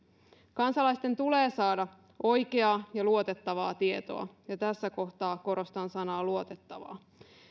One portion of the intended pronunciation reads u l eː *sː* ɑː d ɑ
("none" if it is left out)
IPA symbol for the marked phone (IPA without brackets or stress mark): s